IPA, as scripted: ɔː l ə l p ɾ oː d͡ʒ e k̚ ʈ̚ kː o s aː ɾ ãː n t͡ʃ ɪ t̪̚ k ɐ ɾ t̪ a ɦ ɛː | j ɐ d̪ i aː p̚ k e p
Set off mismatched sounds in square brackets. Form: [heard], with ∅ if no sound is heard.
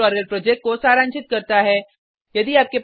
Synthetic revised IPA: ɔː [ɾ] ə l p ɾ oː d͡ʒ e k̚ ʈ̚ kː o s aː ɾ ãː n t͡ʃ ɪ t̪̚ k ɐ ɾ t̪ a ɦ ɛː | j ɐ d̪ i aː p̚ k e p